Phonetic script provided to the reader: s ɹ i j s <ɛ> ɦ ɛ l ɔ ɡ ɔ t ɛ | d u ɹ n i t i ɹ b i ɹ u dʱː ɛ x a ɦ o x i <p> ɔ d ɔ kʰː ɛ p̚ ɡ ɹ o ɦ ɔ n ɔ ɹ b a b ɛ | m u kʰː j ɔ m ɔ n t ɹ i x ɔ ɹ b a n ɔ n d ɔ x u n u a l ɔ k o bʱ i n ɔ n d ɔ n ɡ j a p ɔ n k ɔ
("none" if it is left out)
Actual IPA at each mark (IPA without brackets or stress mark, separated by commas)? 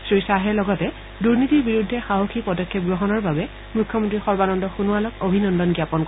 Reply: a, p